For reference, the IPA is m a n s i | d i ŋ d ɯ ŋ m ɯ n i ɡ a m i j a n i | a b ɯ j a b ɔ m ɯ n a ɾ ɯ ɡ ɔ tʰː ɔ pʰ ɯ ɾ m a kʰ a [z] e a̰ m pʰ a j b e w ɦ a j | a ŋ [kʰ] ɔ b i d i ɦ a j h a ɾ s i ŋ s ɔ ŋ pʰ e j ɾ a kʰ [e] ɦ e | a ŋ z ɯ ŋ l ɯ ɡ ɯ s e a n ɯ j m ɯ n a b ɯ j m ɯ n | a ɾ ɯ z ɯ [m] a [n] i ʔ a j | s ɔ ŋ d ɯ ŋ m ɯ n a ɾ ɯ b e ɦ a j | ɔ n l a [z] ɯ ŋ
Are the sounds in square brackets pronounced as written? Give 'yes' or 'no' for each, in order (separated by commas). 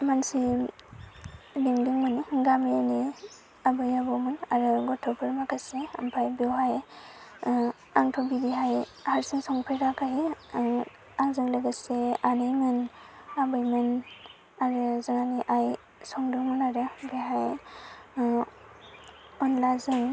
no, no, no, no, yes, yes